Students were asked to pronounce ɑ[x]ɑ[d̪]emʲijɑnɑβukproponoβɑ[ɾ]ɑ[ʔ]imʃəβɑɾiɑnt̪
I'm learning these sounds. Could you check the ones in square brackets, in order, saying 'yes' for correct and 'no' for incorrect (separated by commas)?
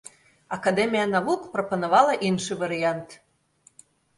no, yes, no, yes